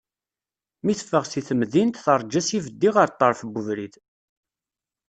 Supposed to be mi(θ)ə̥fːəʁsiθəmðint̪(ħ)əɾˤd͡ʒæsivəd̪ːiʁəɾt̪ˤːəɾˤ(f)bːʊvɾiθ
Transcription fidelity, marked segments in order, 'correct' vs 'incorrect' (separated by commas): correct, incorrect, correct